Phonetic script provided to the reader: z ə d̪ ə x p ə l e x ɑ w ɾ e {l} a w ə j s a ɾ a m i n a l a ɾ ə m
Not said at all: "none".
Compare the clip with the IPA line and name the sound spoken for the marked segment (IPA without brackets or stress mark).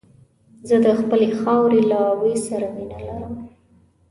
l